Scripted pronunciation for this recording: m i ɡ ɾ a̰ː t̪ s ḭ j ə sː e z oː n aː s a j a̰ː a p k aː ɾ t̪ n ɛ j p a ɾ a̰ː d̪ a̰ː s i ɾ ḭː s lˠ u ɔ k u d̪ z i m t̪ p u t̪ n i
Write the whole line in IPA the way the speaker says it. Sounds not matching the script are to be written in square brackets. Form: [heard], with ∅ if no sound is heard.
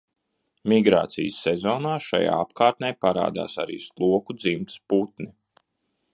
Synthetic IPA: m i ɡ ɾ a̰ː t̪ s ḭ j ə sː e z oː n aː [ʃ] a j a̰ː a p k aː ɾ t̪ n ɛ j p a ɾ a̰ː d̪ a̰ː s [a] ɾ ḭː s lˠ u ɔ k u d̪ z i m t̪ p u t̪ n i

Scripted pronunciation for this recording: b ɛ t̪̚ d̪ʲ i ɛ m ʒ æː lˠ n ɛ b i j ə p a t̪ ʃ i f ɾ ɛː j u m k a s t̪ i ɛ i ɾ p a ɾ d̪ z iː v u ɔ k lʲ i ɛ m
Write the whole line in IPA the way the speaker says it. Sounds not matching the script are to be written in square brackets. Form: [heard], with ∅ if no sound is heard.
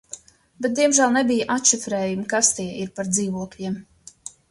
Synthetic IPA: b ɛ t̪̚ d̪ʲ i ɛ m ʒ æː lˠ n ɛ b i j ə [ʔ] a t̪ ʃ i f ɾ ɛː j u m k a s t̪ i ɛ i ɾ p a ɾ d̪ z iː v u ɔ k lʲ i ɛ m

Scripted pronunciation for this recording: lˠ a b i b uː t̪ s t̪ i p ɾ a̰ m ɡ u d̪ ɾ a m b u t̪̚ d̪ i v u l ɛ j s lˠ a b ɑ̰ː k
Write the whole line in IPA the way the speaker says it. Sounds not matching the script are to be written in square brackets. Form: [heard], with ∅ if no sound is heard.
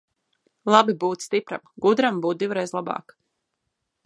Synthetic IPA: lˠ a b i b uː t̪ s t̪ i p ɾ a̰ m ɡ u d̪ ɾ a m b [uː] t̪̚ d̪ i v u [ɾ] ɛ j [z] lˠ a b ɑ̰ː k

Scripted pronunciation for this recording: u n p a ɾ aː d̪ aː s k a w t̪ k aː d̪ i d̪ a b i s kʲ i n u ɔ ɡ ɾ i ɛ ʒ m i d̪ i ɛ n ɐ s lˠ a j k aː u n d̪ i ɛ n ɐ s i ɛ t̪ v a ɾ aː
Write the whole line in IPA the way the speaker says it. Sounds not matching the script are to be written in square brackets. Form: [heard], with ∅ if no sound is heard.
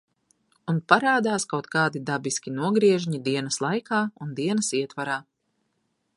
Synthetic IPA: u n p a ɾ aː d̪ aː s k a w t̪ k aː d̪ i d̪ a b i s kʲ i n u ɔ ɡ ɾ i ɛ ʒ [ɲ] i d̪ i ɛ n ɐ s lˠ a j k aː u n d̪ i ɛ n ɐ s i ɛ t̪ v a ɾ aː

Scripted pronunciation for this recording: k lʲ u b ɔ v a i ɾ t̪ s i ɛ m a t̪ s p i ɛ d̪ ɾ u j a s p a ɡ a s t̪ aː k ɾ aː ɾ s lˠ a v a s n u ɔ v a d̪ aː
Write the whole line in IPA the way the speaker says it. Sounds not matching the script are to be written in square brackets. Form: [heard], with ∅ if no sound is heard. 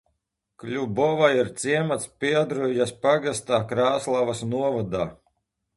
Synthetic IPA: k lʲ u b ɔ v a i ɾ t̪ s i ɛ m a t̪ s p i ɛ d̪ ɾ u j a s p a ɡ a s t̪ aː k ɾ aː [∅] s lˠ a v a s n u ɔ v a d̪ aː

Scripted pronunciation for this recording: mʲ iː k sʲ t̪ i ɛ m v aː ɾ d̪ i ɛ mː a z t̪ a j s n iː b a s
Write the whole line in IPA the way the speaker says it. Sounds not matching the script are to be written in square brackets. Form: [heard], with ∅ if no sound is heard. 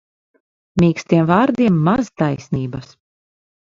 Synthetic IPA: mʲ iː k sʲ t̪ i ɛ m v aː ɾ d̪ i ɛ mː a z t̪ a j s n iː b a s

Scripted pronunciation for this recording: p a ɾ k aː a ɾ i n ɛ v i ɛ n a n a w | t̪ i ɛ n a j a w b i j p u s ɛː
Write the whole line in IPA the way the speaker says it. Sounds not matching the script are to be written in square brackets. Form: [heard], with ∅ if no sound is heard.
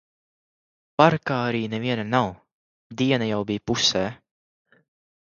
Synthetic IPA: p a ɾ k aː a ɾ [iː] n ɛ v i ɛ n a n a w | [d̪] i ɛ n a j a w b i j p u s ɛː

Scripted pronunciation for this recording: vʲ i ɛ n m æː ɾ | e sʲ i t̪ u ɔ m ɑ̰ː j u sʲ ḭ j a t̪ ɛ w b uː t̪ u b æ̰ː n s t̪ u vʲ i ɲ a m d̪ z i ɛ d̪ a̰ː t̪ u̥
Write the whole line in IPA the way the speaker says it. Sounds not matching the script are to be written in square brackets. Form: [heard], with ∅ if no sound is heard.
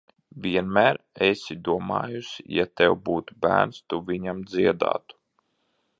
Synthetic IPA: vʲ i ɛ n m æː ɾ | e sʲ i [d̪] u ɔ m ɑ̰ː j u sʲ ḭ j a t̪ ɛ w b uː t̪ u b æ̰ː n s t̪ u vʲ i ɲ a m d̪ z i ɛ d̪ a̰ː t̪ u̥

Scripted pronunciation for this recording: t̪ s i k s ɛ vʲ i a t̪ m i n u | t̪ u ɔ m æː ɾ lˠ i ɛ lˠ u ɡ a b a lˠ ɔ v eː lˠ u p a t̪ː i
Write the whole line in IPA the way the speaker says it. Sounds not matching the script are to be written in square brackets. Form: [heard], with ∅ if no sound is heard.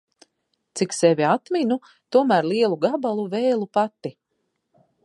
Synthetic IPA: t̪ s i k s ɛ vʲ i a t̪ m i n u | t̪ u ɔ m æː ɾ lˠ i ɛ lˠ u ɡ a b a lˠ [u] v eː lˠ u p a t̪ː i

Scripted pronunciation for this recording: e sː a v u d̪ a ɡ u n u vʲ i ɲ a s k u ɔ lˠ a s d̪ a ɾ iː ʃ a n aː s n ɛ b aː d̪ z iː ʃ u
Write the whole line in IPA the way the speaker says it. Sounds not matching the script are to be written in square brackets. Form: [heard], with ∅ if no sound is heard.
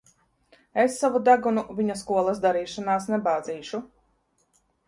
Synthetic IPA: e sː a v u d̪ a ɡ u n u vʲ i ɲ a s k u ɔ lˠ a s d̪ a ɾ iː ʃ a n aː s n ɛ b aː d̪ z iː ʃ u

